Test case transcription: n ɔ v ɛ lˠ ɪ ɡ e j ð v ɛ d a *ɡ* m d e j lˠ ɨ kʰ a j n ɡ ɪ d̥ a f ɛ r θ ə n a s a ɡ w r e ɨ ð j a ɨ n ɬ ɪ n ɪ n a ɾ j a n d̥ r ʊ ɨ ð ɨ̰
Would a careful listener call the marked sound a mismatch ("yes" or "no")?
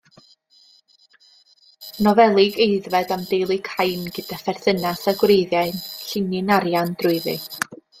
yes